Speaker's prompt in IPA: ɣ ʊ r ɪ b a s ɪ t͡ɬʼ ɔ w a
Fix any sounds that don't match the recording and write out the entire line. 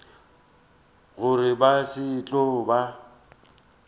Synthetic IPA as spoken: ɣ ʊ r ɪ b a s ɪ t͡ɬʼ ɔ b a